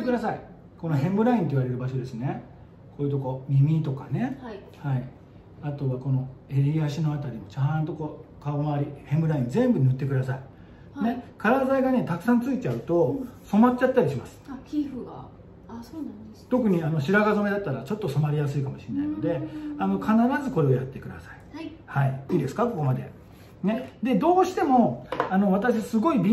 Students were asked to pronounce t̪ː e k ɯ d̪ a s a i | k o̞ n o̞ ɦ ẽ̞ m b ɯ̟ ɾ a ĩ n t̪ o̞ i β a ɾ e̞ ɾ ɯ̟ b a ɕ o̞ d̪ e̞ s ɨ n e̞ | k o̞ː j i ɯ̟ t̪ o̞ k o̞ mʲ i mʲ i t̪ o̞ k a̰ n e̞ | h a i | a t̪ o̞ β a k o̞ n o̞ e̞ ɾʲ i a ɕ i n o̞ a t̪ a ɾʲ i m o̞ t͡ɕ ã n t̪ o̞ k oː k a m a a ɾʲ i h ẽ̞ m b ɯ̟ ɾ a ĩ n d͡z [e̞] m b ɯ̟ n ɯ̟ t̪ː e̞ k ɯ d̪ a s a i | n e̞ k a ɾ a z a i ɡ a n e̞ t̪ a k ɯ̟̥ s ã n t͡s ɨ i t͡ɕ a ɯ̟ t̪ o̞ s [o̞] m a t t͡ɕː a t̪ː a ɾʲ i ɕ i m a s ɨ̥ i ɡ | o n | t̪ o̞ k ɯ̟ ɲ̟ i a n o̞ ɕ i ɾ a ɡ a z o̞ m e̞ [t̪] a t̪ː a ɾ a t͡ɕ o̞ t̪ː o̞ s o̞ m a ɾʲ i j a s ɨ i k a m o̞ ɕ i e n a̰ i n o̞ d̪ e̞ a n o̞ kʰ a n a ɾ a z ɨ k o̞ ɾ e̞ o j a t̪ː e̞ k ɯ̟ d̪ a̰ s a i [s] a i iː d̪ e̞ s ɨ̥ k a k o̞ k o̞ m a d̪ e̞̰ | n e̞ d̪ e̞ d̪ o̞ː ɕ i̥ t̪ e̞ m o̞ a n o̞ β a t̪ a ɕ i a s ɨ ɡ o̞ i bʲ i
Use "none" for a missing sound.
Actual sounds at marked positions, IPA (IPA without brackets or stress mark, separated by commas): ẽ̞, o̞, d̪, h